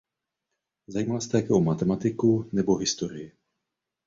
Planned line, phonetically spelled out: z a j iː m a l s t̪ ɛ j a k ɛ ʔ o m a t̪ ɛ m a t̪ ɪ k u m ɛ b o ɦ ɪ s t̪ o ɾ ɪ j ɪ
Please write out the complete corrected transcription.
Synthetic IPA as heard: z a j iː m a l s t̪ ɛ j a k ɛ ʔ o m a t̪ ɛ m a t̪ ɪ k u n ɛ b o ɦ ɪ s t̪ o ɾ ɪ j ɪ